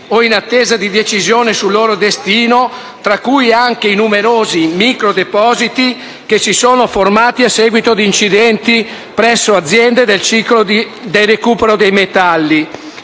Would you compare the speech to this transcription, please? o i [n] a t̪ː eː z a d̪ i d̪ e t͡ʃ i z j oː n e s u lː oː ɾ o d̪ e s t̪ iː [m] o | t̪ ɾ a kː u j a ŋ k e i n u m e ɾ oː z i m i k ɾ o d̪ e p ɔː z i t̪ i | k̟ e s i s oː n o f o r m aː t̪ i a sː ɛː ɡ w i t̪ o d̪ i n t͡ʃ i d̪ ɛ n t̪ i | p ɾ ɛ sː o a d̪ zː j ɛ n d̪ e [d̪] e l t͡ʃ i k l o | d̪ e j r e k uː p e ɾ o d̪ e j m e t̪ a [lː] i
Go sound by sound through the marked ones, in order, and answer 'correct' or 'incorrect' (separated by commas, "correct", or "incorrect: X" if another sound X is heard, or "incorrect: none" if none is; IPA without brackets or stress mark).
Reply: correct, incorrect: n, correct, correct